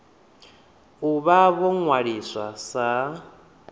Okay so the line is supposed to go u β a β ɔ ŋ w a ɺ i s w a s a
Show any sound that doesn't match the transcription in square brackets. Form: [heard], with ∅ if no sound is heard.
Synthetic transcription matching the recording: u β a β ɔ ŋ w a ɺ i s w a s a